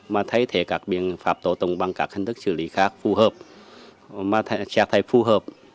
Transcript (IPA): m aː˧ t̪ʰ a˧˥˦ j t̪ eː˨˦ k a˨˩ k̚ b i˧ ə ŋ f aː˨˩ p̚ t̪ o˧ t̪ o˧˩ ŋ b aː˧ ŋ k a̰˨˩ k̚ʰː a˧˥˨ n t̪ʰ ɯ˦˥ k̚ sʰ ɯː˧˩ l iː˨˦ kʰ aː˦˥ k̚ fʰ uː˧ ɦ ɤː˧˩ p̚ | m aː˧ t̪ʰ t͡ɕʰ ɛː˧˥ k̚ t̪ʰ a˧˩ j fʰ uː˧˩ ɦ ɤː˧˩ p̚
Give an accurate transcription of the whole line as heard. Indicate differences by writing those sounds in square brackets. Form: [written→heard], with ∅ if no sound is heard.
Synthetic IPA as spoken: m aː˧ t̪ʰ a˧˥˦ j [t̪→t̪ʰ] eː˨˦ k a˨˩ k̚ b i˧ ə ŋ f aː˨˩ p̚ t̪ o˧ t̪ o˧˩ ŋ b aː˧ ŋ k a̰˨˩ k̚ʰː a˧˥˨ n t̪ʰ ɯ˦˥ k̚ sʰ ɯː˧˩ l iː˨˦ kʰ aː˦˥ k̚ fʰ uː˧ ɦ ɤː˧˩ p̚ | m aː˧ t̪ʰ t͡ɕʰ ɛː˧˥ k̚ t̪ʰ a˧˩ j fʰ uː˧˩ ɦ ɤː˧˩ p̚